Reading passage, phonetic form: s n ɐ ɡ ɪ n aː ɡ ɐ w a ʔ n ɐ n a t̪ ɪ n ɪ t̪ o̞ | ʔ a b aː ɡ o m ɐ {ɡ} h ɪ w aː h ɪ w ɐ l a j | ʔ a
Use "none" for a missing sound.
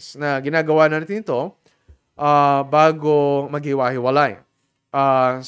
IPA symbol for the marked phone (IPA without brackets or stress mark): ɡ